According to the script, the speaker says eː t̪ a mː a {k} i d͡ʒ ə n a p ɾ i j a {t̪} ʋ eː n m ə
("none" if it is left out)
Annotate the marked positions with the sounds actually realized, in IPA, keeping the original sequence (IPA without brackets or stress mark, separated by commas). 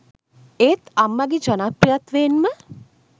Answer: ɡ, t̪